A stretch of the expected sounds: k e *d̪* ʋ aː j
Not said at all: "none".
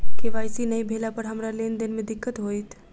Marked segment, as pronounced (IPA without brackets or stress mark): none